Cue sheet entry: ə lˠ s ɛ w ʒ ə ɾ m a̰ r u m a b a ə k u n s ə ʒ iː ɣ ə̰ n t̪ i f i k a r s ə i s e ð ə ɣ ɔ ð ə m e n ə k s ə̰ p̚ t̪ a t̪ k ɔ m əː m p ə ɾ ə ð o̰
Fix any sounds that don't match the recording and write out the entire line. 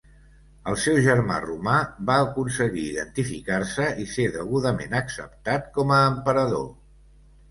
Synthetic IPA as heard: ə lˠ s ɛ w ʒ ə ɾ m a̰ r u m a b a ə k u n s ə ɣ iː ð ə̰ n t̪ i f i k a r s ə i s e ð ə ɣ u ð ə m e n ə k s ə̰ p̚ t̪ a t̪ k ɔ m əː m p ə ɾ ə ð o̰